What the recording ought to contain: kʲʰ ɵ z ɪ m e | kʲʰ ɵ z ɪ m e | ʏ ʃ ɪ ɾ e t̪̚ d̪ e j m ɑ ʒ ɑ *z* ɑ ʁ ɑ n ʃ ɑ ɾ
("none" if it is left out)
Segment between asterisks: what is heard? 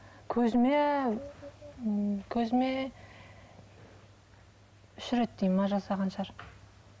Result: s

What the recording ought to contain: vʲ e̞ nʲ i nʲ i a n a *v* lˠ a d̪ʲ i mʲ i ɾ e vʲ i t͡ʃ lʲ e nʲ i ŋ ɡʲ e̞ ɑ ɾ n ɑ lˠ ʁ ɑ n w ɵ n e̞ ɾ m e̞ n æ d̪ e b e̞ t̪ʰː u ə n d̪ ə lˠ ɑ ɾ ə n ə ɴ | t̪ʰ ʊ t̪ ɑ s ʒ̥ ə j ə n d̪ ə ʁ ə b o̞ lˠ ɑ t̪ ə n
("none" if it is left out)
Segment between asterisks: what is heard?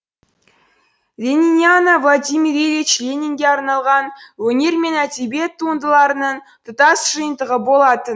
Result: v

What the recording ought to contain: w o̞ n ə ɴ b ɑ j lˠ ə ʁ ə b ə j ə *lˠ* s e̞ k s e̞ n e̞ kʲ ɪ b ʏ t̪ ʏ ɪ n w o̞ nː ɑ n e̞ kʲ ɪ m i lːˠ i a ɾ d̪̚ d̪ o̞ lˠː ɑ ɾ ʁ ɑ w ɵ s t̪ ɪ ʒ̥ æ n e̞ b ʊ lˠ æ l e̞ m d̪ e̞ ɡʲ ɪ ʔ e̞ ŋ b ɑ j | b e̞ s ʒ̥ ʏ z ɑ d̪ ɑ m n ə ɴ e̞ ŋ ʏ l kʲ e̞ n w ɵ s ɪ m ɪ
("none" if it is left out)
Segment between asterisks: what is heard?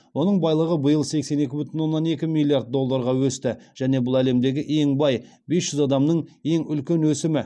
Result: lˠ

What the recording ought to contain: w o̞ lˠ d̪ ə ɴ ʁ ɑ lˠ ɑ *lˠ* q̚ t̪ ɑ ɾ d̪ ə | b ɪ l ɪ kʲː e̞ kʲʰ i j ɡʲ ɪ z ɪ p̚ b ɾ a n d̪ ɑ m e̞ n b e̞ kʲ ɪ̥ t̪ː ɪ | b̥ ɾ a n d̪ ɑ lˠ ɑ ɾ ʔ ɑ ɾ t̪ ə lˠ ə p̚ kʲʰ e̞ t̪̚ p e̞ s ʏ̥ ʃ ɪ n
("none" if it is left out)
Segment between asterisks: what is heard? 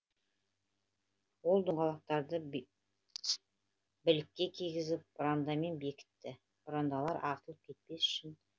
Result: none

